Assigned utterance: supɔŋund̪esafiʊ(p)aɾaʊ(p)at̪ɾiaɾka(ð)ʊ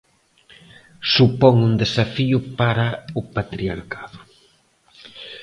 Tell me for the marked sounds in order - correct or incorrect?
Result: correct, correct, correct

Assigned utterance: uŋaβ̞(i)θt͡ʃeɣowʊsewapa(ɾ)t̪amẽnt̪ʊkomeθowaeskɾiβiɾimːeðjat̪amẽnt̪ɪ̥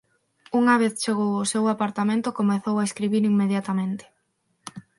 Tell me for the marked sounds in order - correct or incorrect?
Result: incorrect: e, correct

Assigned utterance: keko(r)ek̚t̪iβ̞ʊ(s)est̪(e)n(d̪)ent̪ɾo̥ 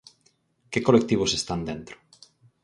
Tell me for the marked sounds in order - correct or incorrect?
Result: incorrect: l, correct, incorrect: a, correct

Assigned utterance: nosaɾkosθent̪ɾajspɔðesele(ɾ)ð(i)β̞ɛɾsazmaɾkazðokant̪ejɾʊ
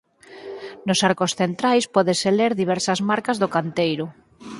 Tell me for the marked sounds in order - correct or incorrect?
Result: correct, correct

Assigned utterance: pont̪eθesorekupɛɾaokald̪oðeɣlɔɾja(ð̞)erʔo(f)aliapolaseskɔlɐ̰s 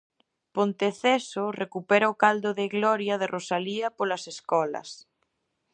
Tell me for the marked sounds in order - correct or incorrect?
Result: correct, incorrect: s

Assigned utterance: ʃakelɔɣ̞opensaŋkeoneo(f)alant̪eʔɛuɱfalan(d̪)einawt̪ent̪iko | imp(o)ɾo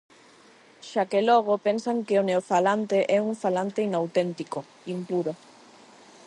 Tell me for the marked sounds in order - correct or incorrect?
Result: correct, incorrect: t̪, incorrect: u

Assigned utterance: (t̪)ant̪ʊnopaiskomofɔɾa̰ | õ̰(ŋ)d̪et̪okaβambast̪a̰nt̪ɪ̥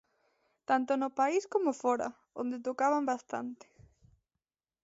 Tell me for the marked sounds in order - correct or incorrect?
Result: correct, incorrect: n

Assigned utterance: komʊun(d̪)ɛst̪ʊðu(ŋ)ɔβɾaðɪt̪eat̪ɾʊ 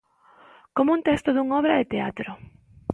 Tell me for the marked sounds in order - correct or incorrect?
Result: incorrect: t̪, correct

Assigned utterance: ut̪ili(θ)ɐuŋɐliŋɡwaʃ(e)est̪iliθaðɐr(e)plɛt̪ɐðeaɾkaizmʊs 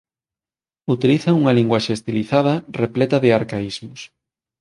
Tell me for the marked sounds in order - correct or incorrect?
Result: correct, correct, correct

